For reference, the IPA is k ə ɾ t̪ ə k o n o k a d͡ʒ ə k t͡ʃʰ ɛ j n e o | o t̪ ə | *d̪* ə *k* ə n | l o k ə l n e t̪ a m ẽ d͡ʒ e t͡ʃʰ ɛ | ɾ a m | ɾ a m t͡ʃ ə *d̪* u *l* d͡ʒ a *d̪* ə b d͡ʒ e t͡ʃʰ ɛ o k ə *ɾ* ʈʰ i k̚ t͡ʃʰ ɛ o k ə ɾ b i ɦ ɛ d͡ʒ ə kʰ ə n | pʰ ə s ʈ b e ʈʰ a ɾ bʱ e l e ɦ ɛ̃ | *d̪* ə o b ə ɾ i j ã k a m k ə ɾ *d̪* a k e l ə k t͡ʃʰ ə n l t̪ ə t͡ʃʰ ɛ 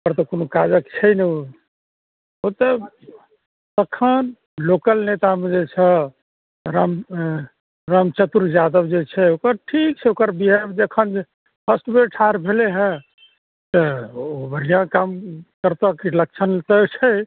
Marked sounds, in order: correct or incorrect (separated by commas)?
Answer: incorrect, incorrect, incorrect, incorrect, correct, correct, incorrect, incorrect